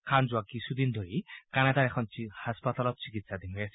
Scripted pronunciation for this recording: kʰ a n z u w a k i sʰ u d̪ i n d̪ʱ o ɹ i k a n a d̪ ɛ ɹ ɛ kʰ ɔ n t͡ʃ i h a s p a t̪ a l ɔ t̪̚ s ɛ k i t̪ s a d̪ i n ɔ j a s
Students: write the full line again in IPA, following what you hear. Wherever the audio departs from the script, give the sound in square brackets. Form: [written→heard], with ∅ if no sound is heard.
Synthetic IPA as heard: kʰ a n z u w a k i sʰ u d̪ i n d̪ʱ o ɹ i k a n a d̪ [ɛ→a] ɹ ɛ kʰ ɔ n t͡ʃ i h a s p a t̪ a l ɔ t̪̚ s [ɛ→i] k i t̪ s a d̪ i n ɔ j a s